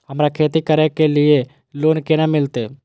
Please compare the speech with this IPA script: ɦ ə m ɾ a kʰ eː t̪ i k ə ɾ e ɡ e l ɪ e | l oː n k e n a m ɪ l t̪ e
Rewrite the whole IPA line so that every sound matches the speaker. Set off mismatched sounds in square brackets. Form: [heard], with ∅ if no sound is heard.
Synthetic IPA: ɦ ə m ɾ a kʰ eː t̪ i k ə ɾ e [k] e l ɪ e | l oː n k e n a m ɪ l t̪ e